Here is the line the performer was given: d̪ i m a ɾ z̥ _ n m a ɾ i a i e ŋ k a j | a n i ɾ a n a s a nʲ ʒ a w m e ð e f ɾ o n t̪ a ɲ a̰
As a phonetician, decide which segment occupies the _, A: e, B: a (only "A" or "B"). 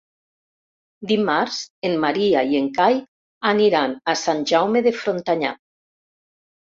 A